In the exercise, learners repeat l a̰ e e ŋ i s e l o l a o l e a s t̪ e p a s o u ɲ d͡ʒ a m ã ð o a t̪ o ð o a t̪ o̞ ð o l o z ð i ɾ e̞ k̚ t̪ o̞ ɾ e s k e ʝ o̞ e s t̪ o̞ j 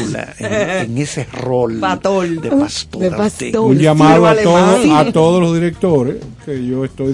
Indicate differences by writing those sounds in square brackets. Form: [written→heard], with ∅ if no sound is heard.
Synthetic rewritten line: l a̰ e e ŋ [i→e] s e [l→r] o l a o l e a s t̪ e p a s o u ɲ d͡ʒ a m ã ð o a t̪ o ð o a t̪ o̞ ð o l o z ð i ɾ e̞ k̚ t̪ o̞ ɾ e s k e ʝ o̞ e s t̪ o̞ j